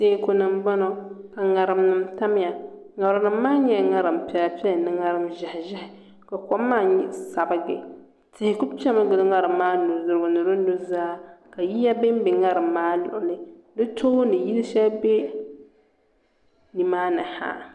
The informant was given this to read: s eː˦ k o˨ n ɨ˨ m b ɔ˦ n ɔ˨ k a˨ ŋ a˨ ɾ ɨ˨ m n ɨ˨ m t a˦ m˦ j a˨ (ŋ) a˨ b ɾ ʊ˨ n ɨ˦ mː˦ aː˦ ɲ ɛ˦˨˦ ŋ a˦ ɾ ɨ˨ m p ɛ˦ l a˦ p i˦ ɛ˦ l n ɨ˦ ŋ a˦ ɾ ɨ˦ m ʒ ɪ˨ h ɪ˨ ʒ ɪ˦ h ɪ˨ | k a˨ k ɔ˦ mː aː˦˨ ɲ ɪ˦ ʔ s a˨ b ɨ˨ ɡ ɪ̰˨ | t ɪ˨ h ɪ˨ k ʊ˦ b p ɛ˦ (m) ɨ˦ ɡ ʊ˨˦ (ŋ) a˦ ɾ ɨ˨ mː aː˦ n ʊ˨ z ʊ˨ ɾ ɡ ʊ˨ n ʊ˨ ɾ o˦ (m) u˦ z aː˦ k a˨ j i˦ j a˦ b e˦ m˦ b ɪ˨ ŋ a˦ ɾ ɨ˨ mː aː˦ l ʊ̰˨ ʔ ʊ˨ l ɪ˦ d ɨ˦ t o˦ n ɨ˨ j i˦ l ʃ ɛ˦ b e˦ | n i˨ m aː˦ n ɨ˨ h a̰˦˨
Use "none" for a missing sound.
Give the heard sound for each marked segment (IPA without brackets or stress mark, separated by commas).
ŋ, m, ŋ, n